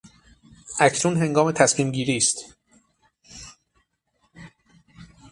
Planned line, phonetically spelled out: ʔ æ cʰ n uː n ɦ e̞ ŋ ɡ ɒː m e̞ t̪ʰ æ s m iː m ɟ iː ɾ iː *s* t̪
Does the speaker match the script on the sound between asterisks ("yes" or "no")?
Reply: yes